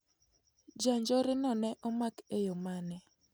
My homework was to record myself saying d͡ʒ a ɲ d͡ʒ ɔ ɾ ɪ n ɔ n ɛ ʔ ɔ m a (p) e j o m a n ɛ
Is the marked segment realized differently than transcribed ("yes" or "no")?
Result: yes